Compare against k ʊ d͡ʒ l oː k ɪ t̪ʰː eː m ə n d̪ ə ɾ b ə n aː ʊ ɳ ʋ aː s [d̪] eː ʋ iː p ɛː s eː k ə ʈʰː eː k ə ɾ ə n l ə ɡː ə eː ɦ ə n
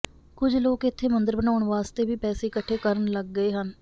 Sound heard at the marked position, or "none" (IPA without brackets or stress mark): t̪